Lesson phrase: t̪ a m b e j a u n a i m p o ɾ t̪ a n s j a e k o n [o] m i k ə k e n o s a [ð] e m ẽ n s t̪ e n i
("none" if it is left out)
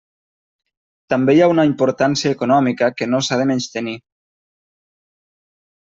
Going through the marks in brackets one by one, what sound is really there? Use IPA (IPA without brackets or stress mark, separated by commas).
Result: ɔ, ð